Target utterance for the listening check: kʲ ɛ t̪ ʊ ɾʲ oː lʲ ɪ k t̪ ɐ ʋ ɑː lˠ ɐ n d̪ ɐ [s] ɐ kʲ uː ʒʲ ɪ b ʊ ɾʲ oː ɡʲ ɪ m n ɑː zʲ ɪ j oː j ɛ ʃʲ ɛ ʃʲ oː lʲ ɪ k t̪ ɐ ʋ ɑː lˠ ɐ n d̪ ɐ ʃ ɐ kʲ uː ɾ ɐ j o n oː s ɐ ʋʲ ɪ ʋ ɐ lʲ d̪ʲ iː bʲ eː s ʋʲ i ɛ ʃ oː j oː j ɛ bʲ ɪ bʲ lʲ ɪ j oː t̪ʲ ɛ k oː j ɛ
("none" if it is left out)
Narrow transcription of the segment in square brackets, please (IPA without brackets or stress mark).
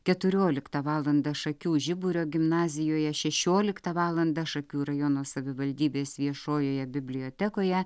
ʃ